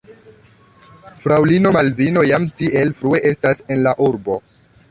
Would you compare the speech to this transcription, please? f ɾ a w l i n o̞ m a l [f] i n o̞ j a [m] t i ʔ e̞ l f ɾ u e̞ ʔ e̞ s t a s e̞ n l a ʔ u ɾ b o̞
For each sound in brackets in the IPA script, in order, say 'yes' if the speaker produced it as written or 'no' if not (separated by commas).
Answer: no, yes